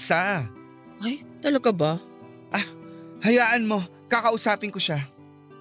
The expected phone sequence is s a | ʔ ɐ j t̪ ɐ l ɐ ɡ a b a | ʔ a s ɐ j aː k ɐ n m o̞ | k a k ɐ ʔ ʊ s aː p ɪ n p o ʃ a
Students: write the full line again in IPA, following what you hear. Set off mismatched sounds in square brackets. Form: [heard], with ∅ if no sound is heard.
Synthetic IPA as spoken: s a | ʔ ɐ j t̪ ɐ l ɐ ɡ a b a | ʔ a [h] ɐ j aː [ʔ] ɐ n m o̞ | k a k ɐ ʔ ʊ s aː p ɪ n [k] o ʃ a